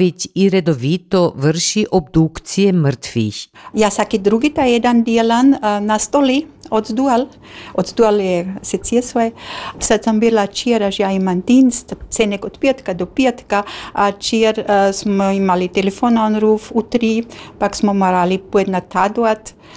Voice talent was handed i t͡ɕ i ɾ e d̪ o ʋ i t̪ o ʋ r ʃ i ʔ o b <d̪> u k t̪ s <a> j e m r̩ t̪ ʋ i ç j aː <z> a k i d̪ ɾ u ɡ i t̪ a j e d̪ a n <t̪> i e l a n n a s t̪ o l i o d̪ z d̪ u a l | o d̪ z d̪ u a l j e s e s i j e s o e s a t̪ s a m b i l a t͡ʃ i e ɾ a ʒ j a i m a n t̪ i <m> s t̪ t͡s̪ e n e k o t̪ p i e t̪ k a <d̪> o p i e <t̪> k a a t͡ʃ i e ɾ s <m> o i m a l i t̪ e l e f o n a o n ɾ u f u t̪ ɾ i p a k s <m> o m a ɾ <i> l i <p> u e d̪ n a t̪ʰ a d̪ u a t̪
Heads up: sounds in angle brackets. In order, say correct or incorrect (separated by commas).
correct, incorrect, incorrect, incorrect, incorrect, correct, correct, correct, correct, incorrect, correct